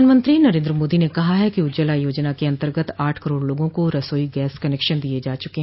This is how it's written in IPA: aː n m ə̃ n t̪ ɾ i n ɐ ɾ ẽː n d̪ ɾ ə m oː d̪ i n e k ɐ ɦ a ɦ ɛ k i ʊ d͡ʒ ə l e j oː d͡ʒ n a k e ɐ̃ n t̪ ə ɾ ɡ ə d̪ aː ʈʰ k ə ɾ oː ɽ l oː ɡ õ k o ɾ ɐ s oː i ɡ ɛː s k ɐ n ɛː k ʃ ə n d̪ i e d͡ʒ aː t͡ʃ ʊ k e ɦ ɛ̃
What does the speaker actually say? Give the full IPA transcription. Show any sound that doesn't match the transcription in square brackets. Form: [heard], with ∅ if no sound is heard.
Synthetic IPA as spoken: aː n m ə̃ n t̪ ɾ i n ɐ ɾ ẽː n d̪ ɾ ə m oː d̪ i n e k ɐ ɦ a ɦ ɛ k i ʊ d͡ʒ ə l [a] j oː d͡ʒ n a k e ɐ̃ n t̪ ə ɾ ɡ ə [t̪] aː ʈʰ k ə ɾ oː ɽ l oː ɡ õ k o ɾ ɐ s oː i ɡ ɛː s k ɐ n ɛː k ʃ ə n d̪ i e d͡ʒ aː t͡ʃ ʊ k e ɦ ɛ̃